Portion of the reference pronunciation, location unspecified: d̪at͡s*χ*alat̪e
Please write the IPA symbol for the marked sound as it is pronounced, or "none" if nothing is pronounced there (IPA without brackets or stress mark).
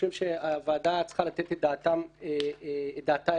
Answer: χ